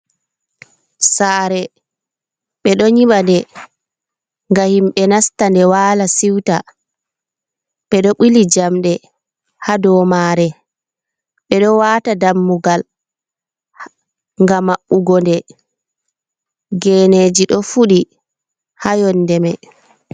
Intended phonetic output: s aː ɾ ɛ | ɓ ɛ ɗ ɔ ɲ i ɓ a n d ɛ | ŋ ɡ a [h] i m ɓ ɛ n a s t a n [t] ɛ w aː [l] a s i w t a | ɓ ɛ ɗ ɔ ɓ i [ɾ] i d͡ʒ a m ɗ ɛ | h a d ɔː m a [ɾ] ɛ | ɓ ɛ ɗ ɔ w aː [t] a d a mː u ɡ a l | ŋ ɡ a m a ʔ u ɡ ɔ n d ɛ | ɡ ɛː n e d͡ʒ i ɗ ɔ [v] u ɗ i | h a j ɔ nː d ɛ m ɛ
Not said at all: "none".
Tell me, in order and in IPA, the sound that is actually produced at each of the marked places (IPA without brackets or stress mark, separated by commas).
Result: h, d, l, l, ɾ, t, f